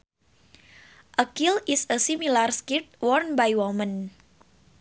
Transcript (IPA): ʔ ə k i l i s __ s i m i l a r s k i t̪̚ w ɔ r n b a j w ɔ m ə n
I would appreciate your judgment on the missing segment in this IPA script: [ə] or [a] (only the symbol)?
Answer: ə